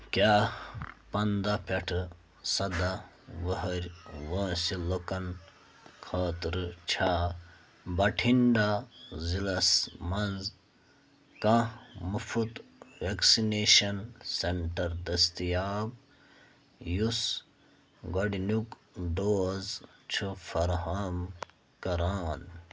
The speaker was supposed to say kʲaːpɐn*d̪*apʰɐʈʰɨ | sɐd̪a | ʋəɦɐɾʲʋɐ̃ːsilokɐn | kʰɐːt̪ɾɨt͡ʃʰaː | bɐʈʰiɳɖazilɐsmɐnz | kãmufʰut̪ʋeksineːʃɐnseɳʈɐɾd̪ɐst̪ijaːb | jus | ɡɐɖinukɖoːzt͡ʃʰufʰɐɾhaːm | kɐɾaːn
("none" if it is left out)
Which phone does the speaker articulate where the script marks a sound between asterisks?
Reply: d̪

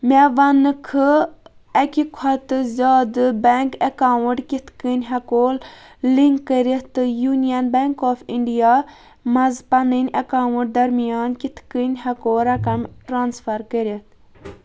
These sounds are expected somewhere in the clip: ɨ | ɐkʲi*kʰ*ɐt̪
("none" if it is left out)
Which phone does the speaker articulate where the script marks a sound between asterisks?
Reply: kʰ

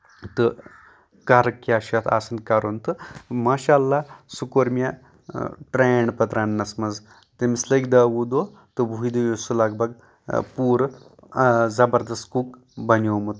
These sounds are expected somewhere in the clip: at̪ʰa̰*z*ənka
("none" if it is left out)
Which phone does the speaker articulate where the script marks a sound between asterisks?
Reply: s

